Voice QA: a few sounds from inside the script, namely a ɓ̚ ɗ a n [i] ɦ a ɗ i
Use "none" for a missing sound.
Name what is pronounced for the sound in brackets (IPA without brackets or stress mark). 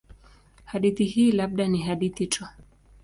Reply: i